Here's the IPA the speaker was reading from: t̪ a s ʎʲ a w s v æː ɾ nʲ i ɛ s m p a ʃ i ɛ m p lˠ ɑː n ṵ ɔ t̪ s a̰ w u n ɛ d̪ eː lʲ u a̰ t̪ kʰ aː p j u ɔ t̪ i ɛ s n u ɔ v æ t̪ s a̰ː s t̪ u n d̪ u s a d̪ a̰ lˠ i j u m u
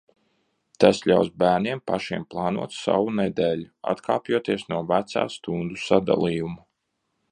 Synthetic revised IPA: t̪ a s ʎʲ a w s b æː ɾ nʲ i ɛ m p a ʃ i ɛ m p lˠ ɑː n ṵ ɔ t̪ s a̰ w u n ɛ d̪ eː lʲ u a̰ t̪ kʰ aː p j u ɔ t̪ i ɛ s n u ɔ v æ t̪ s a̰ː s t̪ u n d̪ u s a d̪ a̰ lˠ i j u m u

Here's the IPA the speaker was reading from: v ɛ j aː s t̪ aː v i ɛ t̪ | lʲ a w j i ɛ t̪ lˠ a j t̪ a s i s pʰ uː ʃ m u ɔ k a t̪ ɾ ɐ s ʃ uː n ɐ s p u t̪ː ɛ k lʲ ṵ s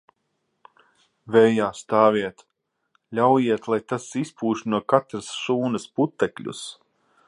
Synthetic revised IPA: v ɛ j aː s t̪ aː v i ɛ t̪ | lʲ a w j i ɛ t̪ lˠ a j t̪ a s i s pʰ uː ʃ n u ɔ k a t̪ ɾ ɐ s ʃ uː n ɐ s p u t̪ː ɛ k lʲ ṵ s

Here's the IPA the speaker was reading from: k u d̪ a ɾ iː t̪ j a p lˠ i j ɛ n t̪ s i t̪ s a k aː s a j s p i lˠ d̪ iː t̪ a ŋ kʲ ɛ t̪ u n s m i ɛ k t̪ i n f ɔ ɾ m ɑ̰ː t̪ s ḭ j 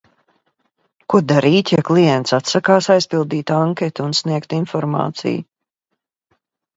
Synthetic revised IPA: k u d̪ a ɾ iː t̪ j a k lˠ i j ɛ n t̪ s a t̪ s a k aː s a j s p i lˠ d̪ iː t̪ a ŋ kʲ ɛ t̪ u n s n i ɛ k t̪ i n f ɔ ɾ m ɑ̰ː t̪ s ḭ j

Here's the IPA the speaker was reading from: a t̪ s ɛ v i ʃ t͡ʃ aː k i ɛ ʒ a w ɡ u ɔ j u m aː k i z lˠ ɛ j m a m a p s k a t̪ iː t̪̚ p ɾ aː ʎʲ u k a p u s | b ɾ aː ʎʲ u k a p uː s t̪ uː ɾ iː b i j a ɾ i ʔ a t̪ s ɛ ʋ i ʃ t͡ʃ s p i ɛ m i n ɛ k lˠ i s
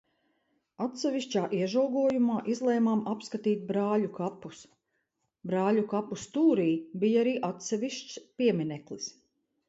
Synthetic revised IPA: a t̪ s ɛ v i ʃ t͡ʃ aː ʔ i ɛ ʒ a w ɡ u ɔ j u m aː ʔ i z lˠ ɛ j m a m a p s k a t̪ iː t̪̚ b ɾ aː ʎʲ u k a p u s | b ɾ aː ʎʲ u k a p u s t̪ uː ɾ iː b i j a ɾ iː ʔ a t̪ s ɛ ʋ i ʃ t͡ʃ s p i ɛ m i n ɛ k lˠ i s

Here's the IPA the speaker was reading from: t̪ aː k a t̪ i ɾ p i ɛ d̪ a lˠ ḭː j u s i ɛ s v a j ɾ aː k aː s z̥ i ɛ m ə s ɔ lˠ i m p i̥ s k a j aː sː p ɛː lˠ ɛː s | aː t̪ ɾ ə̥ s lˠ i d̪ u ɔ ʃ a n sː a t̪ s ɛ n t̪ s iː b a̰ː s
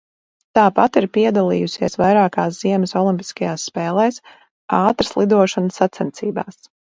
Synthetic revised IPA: t̪ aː p a t̪ i ɾ p i ɛ d̪ a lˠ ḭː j u s i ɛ s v a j ɾ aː k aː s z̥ i ɛ m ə s ɔ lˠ i m p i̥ s k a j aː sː p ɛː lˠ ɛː s | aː t̪ ɾ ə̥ s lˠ i d̪ u ɔ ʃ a n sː a t̪ s ɛ n t̪ s iː b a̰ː s

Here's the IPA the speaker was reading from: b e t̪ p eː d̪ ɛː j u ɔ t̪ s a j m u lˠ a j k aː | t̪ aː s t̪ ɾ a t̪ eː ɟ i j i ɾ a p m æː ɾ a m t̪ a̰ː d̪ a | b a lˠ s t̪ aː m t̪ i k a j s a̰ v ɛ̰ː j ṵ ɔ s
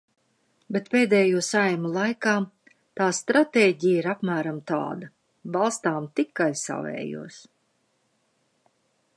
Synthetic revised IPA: b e t̪ p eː d̪ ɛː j u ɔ s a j m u lˠ a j k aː | t̪ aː s t̪ ɾ a t̪ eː ɟ i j i ɾ a p m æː ɾ a m t̪ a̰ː d̪ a | b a lˠ s t̪ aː m t̪ i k a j s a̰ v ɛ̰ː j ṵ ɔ s

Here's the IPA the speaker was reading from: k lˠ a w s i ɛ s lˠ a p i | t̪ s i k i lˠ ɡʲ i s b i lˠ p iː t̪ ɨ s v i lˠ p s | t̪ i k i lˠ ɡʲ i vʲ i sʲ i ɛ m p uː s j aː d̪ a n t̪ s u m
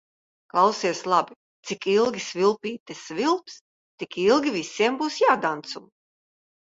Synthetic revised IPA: k lˠ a w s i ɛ s lˠ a b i | t̪ s i k i lˠ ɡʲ i s v i lˠ p iː t̪ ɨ s v i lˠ p s | t̪ i k i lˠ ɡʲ i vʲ i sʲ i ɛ m b uː s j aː d̪ a n t̪ s u m

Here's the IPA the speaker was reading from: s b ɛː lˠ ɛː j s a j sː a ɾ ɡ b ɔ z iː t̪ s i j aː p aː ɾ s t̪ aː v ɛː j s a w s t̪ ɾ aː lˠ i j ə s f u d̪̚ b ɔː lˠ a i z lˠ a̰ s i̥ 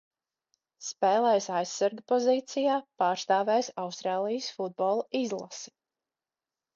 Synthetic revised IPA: s p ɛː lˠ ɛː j s a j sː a ɾ ɡ p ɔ z iː t̪ s i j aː p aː ɾ s t̪ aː v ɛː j s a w s t̪ ɾ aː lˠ i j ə s f u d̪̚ b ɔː lˠ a i z lˠ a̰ s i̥

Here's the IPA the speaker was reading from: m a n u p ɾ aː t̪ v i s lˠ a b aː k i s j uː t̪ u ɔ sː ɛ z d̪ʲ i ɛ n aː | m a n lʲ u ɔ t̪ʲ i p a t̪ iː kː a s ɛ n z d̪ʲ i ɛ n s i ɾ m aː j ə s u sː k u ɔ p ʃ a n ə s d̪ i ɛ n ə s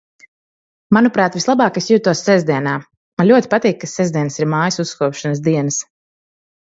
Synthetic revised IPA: m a n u p ɾ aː t̪ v i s lˠ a b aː k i s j uː t̪ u ɔ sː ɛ z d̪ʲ i ɛ n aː | m a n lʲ u ɔ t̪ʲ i p a t̪ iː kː a s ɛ z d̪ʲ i ɛ n s i ɾ m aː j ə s u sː k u ɔ p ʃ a n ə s d̪ i ɛ n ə s

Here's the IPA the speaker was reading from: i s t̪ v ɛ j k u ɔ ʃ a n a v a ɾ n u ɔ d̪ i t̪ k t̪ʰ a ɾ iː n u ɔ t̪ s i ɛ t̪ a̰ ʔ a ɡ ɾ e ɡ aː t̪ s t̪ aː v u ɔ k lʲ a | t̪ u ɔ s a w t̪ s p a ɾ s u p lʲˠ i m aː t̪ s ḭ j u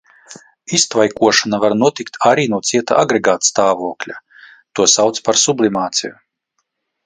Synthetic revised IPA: i s t̪ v a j k u ɔ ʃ a n a v a ɾ n u ɔ t̪ i k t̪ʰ a ɾ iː n u ɔ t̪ s i ɛ t̪ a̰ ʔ a ɡ ɾ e ɡ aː t̪ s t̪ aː v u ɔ k lʲ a | t̪ u ɔ s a w t̪ s p a ɾ s u b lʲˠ i m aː t̪ s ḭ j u

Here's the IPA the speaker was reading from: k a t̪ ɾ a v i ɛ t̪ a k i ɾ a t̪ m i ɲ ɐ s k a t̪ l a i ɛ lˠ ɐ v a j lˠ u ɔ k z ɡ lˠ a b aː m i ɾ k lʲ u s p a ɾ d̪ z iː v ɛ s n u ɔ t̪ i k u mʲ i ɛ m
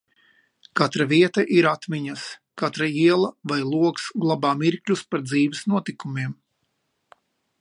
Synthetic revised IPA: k a t̪ ɾ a v i ɛ t̪ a ʔ i ɾ a t̪ m i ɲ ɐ s k a t̪ ɾ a i ɛ lˠ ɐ v a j lˠ u ɔ k s ɡ lˠ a b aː m i ɾ k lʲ u s p a ɾ d̪ z iː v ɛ s n u ɔ t̪ i k u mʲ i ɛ m

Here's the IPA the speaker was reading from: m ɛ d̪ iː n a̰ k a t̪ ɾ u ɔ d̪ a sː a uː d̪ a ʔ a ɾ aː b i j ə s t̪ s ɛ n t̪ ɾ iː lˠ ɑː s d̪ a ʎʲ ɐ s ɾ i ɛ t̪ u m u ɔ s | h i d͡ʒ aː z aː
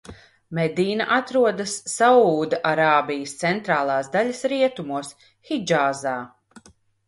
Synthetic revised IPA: m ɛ d̪ iː n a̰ ʔ a t̪ ɾ u ɔ d̪ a sː a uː d̪ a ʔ a ɾ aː b i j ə s t̪ s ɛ n t̪ ɾ aː lˠ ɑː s d̪ a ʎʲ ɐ s ɾ i ɛ t̪ u m u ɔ s | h i d͡ʒ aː z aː

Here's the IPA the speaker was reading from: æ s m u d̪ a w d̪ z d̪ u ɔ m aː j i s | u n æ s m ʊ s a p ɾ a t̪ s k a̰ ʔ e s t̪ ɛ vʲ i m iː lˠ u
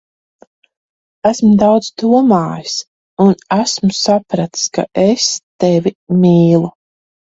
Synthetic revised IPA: æ s m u d̪ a w d̪ z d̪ u ɔ m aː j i s | u n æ s m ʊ s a p ɾ a t̪ s k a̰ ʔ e s t̪ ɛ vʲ i m iː lˠ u

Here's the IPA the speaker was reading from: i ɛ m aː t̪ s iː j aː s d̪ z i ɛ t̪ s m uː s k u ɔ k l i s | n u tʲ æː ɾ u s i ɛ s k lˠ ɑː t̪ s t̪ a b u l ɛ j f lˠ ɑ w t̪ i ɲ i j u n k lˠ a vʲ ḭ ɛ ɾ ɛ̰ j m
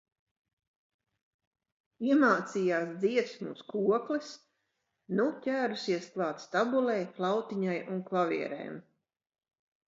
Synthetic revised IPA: i ɛ m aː t̪ s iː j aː s d̪ z i ɛ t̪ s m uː s k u ɔ k l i s | n u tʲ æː ɾ u s i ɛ s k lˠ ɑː t̪ s t̪ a b u l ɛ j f lˠ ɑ w t̪ i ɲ a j u n k lˠ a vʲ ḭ ɛ ɾ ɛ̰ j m

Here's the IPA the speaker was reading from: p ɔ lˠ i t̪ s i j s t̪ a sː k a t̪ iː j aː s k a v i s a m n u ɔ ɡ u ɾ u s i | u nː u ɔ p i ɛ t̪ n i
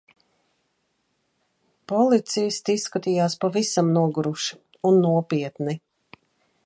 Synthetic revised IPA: p ɔ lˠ i t̪ s i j s t̪ i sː k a t̪ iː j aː s p a v i s a m n u ɔ ɡ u ɾ u ʃ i | u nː u ɔ p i ɛ t̪ n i

